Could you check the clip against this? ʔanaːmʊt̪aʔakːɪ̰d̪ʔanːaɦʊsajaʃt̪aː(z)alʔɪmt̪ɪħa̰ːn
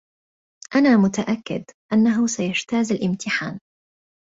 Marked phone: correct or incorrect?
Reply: correct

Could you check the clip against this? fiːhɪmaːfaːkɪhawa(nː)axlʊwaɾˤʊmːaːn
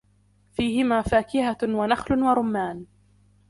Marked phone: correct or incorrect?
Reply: incorrect: n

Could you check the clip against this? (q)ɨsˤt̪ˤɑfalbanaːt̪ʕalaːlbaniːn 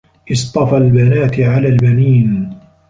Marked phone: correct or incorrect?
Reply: incorrect: ʔ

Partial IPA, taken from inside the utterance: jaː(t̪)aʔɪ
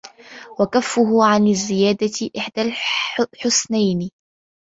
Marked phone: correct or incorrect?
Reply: incorrect: d̪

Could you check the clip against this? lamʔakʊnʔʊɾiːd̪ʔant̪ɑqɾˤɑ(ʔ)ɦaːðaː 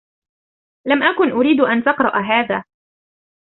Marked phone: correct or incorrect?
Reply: correct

